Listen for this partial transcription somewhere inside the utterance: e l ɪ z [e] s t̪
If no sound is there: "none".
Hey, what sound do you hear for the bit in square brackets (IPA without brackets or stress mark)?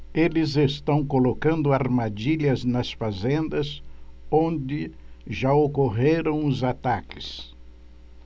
e